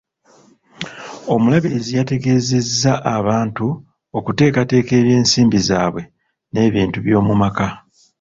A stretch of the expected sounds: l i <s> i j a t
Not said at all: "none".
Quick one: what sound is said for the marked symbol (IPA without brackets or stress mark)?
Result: z